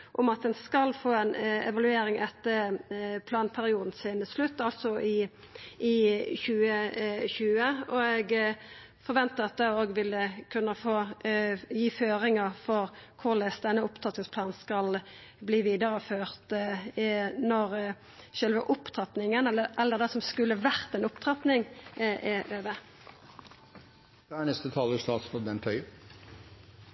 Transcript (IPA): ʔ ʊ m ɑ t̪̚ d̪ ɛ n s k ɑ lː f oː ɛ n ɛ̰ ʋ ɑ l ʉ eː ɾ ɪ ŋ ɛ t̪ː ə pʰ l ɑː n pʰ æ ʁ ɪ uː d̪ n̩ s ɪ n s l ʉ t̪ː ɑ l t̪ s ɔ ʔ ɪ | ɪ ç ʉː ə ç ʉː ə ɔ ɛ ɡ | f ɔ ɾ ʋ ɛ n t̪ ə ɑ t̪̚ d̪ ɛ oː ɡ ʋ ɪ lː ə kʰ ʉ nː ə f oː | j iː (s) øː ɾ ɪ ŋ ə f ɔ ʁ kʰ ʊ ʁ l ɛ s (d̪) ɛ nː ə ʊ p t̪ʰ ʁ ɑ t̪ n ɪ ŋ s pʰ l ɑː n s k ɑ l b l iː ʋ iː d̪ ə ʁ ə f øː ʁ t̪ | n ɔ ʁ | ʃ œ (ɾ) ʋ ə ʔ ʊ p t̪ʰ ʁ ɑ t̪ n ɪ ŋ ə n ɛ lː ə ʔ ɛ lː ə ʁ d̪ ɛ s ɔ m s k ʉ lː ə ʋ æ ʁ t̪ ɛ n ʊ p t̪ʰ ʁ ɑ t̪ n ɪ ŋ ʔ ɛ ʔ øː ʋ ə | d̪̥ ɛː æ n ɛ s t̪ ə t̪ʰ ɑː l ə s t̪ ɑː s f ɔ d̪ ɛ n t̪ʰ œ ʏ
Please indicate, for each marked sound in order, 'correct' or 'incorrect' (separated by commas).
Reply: incorrect, correct, incorrect